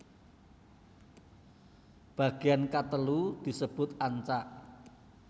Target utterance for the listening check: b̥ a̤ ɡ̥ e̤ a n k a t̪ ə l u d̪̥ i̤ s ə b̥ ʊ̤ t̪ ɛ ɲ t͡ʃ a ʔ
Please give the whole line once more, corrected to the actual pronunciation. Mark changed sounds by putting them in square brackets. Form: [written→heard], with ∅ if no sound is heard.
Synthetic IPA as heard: b̥ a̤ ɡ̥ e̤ a n k a t̪ ə l u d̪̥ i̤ s ə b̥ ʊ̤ t̪ [ɛ→a] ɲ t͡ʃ a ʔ

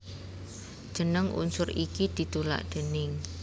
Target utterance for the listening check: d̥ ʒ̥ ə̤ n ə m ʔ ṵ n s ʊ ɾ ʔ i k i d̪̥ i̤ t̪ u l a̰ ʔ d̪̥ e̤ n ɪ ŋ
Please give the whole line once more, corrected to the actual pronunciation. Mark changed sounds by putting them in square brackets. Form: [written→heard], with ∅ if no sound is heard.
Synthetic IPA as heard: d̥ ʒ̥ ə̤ n ə [m→ŋ] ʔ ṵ n s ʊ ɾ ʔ i k i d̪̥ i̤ t̪ u l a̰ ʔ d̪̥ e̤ n ɪ ŋ

